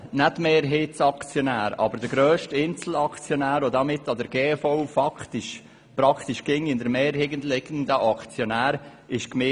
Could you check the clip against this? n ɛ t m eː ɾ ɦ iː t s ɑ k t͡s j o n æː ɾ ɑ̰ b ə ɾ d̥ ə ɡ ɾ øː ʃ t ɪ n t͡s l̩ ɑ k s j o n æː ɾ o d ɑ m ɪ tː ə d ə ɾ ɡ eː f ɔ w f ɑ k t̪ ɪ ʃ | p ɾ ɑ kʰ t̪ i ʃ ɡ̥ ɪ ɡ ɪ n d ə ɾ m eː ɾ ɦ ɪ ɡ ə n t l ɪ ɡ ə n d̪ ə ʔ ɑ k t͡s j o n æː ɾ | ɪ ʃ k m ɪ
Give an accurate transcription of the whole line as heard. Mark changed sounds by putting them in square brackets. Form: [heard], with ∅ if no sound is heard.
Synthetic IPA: n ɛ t m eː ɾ ɦ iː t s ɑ k t͡s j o n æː ɾ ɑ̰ b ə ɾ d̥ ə ɡ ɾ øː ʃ t ɪ n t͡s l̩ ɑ k [t͡s] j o n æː ɾ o d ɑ m ɪ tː [ɑ] d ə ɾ ɡ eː f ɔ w f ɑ k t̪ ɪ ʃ | p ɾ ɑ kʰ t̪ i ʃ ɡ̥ ɪ [ŋ] ɪ n d ə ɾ m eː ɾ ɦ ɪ ɡ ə n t l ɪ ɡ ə n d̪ ə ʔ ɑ k t͡s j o n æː ɾ | ɪ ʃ k m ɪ